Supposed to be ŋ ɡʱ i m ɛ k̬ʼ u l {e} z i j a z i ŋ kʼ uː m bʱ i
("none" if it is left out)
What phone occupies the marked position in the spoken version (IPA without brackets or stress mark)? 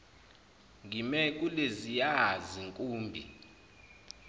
e